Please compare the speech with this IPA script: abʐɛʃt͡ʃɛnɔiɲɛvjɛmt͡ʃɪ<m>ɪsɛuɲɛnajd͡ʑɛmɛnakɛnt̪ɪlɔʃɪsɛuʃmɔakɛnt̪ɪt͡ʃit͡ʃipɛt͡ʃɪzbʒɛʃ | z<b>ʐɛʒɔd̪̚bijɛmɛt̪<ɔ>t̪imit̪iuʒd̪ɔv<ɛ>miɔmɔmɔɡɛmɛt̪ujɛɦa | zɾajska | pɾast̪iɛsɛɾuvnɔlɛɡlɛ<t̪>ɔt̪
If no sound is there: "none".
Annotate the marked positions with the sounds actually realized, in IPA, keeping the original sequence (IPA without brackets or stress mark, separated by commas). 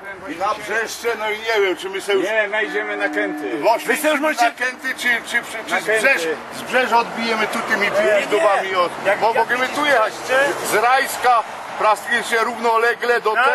m, b, u, a, d̪